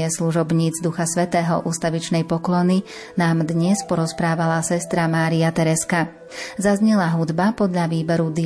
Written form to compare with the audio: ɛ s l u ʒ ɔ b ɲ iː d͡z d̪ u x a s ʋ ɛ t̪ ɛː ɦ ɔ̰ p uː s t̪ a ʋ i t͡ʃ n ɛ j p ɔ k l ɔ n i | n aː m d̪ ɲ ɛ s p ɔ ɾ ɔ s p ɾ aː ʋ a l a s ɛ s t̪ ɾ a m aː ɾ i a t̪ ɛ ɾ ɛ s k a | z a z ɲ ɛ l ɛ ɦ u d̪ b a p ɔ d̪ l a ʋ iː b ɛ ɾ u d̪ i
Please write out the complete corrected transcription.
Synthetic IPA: ɛ s l u ʒ ɔ b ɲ iː d͡z d̪ u x a s ʋ ɛ t̪ ɛː ɦ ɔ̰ ʔ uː s t̪ a ʋ i t͡ʃ n ɛ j p ɔ k l ɔ n i | n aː m d̪ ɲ ɛ s p ɔ ɾ ɔ s p ɾ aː ʋ a l a s ɛ s t̪ ɾ a m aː ɾ i a t̪ ɛ ɾ ɛ s k a | z a z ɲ ɛ l a ɦ u d̪ b a p ɔ d̪ ʎ a ʋ iː b ɛ ɾ u d̪ i